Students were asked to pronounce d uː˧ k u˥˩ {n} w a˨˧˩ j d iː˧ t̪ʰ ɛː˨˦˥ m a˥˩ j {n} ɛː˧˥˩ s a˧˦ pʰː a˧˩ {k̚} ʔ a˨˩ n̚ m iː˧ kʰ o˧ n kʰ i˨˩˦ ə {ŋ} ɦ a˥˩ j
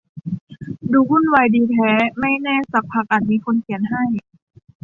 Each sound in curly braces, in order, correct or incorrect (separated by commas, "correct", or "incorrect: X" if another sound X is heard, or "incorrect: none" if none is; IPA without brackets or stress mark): correct, correct, correct, incorrect: n